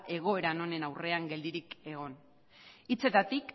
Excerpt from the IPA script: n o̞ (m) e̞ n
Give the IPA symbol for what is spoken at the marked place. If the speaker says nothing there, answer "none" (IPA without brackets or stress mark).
n